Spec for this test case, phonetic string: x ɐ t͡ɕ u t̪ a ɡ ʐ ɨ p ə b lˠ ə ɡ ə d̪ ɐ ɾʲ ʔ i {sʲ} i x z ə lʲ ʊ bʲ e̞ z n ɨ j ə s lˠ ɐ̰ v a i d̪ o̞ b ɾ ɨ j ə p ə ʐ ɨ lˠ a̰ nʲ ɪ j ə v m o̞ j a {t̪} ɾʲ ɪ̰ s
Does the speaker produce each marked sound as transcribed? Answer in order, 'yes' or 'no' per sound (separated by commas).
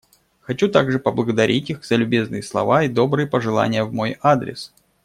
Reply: no, no